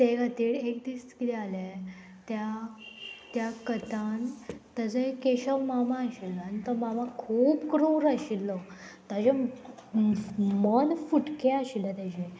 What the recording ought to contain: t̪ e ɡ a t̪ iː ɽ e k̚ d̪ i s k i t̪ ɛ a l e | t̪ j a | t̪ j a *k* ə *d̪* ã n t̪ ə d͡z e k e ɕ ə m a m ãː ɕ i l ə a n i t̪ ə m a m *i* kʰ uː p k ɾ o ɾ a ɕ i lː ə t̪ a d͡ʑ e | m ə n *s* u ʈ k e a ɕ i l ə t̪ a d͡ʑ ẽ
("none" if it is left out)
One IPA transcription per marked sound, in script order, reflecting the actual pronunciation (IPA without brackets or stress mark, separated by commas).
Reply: k, t̪, a, f